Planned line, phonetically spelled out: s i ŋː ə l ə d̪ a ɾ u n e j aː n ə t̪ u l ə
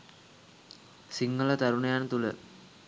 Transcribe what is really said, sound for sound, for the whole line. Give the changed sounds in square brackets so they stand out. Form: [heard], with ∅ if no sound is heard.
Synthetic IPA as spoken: s i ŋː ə l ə [t̪] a ɾ u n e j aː n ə t̪ u l ə